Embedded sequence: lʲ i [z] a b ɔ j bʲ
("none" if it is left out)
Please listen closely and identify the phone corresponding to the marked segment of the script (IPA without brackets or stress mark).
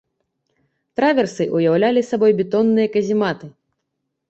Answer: s